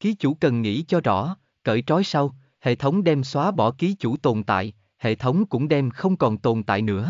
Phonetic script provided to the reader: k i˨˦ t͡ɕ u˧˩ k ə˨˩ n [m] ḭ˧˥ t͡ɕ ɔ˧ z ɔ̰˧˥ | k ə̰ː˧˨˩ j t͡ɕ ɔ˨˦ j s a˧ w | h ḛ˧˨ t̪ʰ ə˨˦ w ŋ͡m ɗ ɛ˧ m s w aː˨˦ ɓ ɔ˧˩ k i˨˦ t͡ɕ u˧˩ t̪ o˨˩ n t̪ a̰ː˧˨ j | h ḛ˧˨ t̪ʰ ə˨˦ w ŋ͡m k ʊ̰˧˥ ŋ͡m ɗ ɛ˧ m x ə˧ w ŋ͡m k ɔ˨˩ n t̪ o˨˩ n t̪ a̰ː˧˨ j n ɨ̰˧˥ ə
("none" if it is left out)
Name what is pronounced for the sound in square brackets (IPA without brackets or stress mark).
ŋ